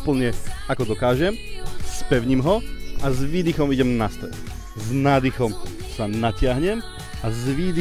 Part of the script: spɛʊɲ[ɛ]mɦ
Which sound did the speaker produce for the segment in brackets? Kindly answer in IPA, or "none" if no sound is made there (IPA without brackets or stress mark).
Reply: i